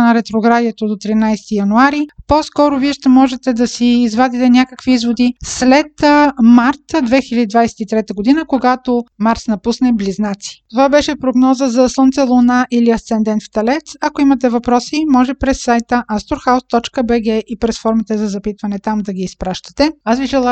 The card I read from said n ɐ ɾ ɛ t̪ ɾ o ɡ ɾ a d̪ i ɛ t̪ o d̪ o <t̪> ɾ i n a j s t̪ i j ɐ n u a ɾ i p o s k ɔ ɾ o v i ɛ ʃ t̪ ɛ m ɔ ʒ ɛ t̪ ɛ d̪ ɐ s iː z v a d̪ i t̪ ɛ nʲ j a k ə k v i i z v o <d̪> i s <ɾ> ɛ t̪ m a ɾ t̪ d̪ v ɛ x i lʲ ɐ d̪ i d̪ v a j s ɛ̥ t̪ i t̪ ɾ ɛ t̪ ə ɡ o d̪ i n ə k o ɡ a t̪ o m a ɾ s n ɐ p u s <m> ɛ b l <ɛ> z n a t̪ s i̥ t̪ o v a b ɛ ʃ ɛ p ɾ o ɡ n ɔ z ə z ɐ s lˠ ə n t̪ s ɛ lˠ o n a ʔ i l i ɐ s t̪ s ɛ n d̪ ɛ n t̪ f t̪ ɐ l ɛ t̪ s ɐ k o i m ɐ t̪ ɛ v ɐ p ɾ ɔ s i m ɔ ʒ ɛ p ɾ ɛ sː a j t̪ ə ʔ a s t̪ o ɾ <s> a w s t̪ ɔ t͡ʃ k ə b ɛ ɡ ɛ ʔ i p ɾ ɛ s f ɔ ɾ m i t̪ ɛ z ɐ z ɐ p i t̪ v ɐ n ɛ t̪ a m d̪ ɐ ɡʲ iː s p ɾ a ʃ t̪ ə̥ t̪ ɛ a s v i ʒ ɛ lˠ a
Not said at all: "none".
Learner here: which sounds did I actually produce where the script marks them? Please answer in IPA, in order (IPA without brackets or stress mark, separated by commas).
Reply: t̪, d̪, l, n, i, x